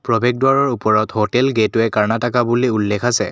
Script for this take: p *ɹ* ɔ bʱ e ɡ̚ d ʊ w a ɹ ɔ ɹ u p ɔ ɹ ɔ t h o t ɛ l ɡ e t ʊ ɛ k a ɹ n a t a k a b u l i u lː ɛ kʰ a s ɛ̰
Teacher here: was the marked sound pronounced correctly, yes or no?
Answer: yes